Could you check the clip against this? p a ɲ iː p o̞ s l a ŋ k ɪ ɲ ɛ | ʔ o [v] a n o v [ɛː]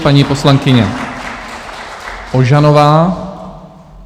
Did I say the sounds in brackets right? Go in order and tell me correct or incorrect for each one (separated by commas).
incorrect, incorrect